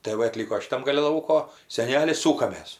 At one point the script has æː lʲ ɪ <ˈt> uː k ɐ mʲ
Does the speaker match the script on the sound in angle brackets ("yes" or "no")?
no